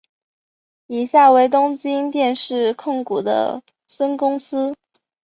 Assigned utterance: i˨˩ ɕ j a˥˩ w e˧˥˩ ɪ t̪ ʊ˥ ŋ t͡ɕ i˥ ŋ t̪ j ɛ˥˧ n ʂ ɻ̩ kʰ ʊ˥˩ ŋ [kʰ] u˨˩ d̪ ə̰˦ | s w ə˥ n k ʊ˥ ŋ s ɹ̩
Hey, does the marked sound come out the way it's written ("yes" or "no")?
no